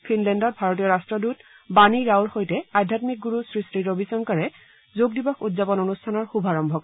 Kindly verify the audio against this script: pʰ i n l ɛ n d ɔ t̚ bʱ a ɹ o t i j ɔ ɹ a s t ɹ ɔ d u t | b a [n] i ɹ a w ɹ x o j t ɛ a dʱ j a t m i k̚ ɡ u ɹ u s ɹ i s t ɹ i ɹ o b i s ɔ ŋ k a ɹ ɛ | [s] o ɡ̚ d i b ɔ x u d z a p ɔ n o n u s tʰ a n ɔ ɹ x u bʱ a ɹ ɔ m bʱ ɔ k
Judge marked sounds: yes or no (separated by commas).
yes, no